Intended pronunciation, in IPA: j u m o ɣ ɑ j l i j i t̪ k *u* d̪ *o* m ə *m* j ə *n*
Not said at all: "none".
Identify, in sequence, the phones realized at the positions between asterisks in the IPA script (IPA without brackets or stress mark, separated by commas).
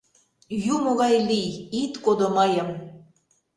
o, o, none, m